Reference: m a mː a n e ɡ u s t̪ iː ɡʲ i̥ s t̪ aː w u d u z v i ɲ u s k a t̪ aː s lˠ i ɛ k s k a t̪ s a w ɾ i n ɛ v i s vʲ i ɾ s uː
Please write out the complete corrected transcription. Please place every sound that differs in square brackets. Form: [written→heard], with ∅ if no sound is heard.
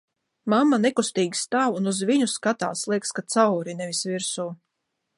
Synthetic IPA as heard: m a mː a n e [ɡ→k] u s t̪ iː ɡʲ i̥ s t̪ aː w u [d→n] u z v i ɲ u s k a t̪ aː s lˠ i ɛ k s k a t̪ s a w ɾ i n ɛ v i s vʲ i ɾ s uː